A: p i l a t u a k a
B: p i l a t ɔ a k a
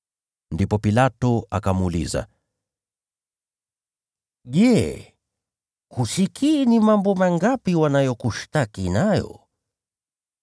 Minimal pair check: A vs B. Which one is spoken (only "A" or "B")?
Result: B